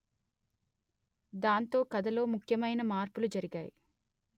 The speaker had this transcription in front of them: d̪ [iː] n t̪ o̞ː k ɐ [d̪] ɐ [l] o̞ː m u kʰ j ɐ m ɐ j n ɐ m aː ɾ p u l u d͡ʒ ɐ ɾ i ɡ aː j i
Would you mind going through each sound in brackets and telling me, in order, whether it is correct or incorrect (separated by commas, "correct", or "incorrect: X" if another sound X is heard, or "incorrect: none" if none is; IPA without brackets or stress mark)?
incorrect: aː, correct, correct